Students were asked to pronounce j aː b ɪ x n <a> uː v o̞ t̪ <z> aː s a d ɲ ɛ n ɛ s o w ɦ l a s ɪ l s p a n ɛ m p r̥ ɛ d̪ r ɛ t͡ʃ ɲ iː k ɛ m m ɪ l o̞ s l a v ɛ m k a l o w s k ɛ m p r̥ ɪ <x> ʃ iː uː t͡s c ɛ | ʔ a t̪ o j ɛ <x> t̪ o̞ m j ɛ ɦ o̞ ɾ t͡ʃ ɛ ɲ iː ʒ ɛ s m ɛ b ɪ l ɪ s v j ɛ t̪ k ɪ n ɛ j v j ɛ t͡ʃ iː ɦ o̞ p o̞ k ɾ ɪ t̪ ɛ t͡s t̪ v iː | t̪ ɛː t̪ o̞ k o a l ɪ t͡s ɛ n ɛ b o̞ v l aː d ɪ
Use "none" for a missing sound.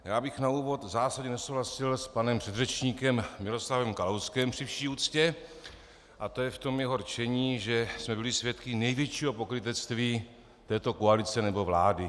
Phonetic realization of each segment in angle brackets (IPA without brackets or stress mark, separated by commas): a, z, f, f